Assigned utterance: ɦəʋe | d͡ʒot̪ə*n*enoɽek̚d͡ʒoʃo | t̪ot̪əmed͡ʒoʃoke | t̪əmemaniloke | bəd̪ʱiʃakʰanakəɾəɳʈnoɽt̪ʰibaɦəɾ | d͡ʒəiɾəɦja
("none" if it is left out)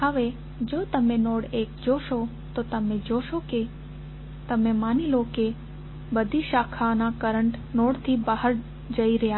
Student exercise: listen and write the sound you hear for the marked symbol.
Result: m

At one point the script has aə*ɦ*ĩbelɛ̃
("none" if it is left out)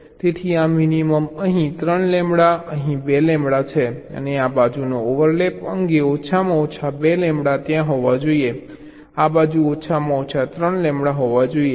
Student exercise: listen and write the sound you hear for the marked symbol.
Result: ɦ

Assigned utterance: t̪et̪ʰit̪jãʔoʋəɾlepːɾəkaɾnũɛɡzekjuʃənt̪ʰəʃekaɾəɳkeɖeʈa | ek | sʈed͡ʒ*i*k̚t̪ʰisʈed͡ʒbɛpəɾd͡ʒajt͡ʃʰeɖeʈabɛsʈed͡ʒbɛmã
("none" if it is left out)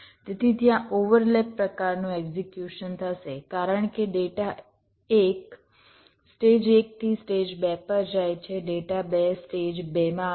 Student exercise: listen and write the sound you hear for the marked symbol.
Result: e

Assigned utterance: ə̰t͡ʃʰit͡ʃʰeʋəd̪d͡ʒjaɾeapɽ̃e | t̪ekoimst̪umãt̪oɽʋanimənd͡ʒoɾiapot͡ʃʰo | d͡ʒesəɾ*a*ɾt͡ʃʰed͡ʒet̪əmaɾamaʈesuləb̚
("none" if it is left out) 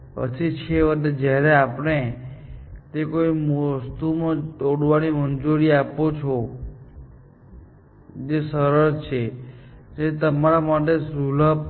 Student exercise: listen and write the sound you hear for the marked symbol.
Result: ə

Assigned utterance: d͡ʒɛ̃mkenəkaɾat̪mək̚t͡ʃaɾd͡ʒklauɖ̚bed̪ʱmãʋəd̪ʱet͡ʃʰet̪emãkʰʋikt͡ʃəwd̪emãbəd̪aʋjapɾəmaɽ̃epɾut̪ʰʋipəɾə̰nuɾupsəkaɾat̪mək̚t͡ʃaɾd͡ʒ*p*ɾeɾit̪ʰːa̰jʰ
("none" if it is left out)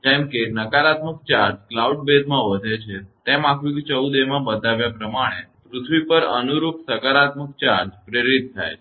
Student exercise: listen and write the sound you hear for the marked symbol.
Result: p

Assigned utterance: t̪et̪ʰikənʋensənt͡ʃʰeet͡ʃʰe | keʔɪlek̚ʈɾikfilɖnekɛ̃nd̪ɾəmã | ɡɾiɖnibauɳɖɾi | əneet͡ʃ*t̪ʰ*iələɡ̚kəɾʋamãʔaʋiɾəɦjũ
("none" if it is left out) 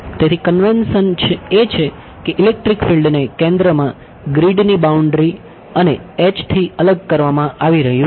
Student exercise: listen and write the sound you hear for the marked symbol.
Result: t̪ʰ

